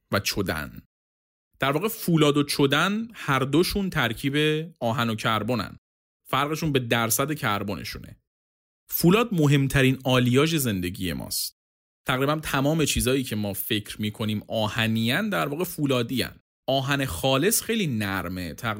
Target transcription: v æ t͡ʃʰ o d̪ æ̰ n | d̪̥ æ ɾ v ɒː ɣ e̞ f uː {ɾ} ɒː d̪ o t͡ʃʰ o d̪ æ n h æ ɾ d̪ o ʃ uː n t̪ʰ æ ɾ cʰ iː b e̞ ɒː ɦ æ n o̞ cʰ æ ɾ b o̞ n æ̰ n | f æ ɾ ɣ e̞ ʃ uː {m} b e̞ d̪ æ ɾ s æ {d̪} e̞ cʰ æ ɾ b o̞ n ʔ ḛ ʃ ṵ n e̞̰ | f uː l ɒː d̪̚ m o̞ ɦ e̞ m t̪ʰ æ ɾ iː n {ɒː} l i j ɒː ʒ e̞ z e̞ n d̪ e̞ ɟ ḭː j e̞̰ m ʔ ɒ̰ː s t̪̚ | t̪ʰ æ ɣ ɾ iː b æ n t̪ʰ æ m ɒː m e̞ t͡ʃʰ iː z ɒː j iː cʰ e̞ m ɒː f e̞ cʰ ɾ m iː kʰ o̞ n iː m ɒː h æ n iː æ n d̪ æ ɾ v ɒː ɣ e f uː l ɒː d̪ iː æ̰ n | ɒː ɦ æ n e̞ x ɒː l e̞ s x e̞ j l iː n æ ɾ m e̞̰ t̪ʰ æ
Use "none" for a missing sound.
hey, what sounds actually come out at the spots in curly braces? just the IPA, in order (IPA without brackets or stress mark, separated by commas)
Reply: l, n, d̪, ɒː